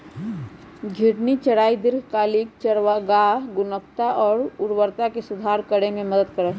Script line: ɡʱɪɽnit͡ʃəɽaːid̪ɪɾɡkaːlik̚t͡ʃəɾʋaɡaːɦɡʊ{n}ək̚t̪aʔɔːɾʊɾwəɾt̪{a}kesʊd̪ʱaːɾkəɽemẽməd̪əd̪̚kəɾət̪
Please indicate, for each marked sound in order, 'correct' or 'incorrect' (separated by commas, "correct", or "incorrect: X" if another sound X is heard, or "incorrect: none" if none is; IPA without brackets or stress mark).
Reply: correct, correct